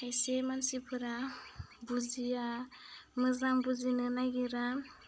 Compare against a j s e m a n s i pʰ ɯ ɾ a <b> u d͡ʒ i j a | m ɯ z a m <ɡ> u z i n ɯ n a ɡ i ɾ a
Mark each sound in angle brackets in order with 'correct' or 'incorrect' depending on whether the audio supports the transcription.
correct, incorrect

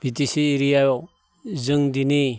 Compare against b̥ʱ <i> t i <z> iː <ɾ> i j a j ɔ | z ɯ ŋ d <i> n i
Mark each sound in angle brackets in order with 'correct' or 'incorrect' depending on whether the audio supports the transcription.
correct, incorrect, correct, correct

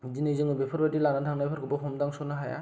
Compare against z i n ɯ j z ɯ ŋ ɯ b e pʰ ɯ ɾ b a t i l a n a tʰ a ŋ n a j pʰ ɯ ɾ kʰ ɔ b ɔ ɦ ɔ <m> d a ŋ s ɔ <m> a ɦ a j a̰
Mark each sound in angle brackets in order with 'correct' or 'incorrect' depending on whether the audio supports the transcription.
correct, incorrect

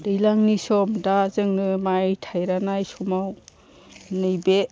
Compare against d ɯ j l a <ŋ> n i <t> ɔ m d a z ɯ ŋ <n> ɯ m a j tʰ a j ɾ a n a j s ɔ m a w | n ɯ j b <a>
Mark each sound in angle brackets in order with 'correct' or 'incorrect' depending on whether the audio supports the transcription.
correct, incorrect, correct, incorrect

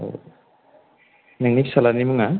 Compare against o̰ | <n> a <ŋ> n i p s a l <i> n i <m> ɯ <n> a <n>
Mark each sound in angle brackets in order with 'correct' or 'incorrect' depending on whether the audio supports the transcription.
correct, correct, incorrect, correct, incorrect, incorrect

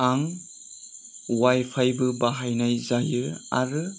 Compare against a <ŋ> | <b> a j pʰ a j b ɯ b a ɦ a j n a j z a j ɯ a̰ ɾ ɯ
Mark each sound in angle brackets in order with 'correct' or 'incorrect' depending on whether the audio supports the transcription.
correct, incorrect

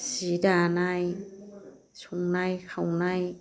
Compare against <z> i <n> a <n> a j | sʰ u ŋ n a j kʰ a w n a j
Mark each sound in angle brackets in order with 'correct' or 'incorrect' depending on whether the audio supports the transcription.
incorrect, incorrect, correct

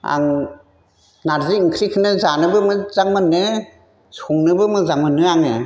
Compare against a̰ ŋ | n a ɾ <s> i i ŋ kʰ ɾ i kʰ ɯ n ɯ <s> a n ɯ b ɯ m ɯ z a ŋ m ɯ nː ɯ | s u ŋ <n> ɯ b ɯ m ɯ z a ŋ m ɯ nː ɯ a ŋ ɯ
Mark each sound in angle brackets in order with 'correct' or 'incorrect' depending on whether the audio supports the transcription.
incorrect, incorrect, correct

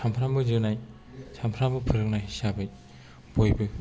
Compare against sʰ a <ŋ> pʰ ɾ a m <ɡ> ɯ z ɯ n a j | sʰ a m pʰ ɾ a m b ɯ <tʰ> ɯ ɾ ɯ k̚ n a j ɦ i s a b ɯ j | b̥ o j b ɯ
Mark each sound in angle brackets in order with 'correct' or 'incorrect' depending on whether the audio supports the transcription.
incorrect, incorrect, incorrect

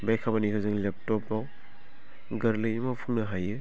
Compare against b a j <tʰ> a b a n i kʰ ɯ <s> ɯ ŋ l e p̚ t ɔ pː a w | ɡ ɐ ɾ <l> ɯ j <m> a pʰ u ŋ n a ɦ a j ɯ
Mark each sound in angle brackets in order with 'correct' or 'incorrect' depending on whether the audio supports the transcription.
incorrect, incorrect, correct, correct

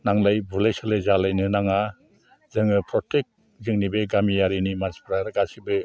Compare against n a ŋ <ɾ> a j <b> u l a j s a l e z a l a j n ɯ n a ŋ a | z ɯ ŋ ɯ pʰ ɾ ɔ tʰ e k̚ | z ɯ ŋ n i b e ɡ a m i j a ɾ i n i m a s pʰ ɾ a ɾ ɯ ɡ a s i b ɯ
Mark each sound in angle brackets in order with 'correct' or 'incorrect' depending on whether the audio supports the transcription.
incorrect, correct

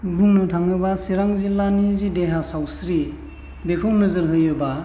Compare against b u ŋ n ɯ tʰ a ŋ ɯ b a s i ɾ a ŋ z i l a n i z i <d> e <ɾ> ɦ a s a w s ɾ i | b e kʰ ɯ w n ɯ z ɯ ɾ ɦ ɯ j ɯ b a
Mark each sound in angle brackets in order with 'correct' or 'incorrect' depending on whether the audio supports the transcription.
correct, incorrect

